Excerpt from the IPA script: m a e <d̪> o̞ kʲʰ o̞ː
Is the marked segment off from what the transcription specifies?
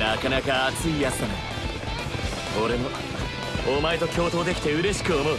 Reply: yes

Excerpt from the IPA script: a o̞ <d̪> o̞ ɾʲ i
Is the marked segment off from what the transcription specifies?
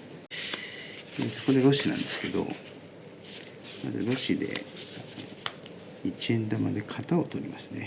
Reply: yes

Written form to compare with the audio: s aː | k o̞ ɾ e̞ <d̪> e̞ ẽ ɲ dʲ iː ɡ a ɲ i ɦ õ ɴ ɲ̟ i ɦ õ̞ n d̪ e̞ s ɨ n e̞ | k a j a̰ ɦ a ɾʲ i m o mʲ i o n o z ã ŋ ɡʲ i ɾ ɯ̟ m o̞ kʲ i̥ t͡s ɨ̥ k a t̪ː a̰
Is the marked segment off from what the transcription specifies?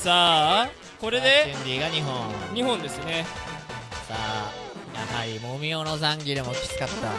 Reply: no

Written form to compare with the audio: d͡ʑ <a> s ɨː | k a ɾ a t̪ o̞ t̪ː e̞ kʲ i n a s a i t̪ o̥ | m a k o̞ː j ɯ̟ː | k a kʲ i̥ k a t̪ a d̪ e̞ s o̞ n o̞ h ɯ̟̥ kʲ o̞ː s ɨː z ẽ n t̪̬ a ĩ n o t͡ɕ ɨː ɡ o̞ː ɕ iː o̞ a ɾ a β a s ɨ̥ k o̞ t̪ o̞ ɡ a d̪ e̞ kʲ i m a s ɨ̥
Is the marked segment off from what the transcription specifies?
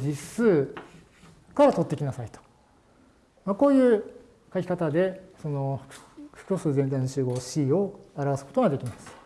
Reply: yes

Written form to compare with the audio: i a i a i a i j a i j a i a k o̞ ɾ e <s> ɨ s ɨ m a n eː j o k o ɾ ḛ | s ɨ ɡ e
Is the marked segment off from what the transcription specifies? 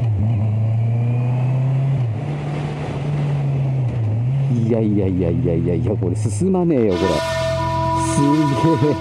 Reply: no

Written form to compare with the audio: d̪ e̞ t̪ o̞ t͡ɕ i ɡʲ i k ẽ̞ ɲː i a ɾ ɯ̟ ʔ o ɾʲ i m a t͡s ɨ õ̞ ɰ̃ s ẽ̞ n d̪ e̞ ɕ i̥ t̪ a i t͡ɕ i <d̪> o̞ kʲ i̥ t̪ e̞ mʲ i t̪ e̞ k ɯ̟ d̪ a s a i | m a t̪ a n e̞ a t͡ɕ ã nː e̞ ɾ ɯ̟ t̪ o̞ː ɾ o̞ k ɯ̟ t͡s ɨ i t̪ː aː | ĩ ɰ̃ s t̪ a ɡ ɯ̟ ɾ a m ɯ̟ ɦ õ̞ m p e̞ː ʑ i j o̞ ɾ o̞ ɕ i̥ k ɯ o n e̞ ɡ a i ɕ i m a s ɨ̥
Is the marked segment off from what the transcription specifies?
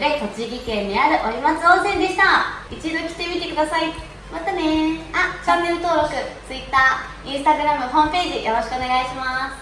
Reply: no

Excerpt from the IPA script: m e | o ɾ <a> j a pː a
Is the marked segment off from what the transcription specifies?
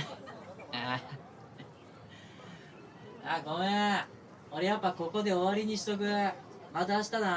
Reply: yes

